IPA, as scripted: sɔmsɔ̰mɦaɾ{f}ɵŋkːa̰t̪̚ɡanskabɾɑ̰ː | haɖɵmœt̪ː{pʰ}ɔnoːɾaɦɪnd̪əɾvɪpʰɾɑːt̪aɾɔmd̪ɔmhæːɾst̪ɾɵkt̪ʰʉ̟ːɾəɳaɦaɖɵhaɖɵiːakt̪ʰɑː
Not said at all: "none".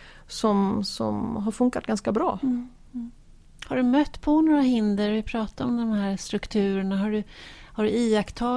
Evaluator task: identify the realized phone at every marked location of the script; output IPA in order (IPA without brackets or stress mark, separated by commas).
f, pʰ